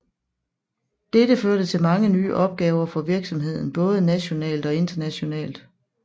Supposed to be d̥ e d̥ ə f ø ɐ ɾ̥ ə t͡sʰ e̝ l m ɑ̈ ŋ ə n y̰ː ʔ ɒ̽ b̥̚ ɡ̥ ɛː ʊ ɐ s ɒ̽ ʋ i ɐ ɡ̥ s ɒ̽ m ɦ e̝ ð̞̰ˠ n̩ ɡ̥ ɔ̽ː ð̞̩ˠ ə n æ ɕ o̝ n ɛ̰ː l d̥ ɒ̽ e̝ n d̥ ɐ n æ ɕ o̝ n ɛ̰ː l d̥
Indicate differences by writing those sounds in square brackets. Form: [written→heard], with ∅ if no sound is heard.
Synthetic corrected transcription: d̥ e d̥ ə f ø ɐ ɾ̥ ə t͡sʰ e̝ l m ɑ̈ ŋ ə n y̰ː ʔ ɒ̽ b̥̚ ɡ̥ ɛː ʊ ɐ [s→f] ɒ̽ ʋ i ɐ ɡ̥ s ɒ̽ m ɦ e̝ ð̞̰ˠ n̩ [ɡ̥→b̥] ɔ̽ː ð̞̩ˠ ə n æ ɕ o̝ n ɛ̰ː l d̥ ɒ̽ e̝ n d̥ ɐ n æ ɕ o̝ n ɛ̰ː l d̥